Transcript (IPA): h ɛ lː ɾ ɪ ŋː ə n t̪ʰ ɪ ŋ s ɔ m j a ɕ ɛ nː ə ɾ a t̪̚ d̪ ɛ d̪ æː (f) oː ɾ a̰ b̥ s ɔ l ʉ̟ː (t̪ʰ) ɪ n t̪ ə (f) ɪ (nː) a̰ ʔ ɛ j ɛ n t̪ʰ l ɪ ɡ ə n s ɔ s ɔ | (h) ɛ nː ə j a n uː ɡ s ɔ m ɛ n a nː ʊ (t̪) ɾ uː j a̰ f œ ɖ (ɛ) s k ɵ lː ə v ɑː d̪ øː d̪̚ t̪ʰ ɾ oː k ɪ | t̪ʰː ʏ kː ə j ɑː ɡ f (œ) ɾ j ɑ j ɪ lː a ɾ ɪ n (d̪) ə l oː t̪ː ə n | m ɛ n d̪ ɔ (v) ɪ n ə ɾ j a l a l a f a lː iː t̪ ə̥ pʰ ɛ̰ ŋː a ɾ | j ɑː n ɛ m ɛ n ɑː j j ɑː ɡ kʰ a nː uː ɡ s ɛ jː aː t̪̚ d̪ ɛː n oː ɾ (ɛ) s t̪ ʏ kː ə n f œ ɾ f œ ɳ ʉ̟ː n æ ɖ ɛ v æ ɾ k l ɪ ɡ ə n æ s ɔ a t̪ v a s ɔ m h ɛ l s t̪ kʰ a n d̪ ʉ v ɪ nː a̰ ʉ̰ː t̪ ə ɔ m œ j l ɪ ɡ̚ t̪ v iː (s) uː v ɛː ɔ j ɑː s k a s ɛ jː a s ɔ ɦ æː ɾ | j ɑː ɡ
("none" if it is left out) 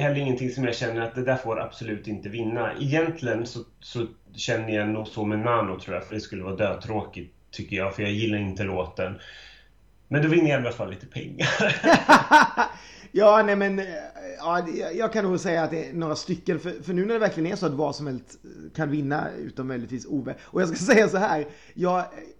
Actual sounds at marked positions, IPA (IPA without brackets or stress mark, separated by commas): f, t̪, v, nː, ɕ, t̪ʰ, ɛ, œ, t̪, v, a, s